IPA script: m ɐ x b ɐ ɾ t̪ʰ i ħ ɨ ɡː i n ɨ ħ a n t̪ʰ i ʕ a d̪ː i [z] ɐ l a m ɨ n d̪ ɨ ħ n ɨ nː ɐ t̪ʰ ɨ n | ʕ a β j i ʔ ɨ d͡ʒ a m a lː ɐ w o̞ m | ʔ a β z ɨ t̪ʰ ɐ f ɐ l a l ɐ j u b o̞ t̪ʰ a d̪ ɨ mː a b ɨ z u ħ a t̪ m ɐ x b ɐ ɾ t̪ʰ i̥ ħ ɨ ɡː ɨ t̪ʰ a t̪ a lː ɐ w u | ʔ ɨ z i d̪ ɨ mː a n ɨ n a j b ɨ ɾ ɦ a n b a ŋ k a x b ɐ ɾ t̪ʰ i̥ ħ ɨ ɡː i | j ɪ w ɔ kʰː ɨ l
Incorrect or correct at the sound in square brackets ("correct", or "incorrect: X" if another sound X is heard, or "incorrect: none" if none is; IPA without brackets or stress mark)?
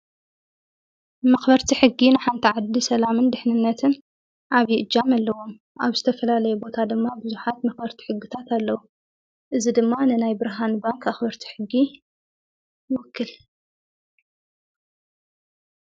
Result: incorrect: s